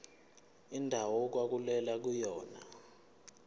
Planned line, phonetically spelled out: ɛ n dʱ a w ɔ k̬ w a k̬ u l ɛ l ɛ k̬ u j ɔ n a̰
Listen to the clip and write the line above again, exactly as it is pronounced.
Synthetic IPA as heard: i n dʱ a w ɔ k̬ w a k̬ u l ɛ l a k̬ u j ɔː n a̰